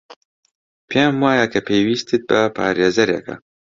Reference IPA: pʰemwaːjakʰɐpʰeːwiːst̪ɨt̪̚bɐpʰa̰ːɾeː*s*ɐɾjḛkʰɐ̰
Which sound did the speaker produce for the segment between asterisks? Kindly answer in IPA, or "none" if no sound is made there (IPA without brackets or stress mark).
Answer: z